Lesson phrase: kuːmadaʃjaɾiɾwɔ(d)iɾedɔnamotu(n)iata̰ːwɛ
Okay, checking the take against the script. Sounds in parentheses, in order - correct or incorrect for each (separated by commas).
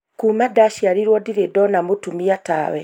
correct, incorrect